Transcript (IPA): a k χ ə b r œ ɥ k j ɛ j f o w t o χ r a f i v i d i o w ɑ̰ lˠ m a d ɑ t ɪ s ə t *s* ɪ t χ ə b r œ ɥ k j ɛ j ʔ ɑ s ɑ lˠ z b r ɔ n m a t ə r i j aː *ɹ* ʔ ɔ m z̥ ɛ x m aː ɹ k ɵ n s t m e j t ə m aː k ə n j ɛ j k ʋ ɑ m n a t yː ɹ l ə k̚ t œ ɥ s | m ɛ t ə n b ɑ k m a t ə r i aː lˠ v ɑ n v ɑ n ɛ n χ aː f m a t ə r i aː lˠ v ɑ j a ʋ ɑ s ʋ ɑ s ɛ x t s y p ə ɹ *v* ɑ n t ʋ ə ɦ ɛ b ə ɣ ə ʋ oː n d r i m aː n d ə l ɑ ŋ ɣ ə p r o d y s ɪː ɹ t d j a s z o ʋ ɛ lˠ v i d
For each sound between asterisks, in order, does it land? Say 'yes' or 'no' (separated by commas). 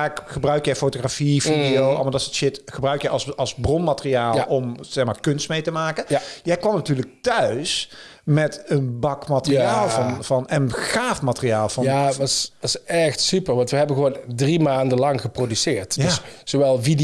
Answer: no, no, no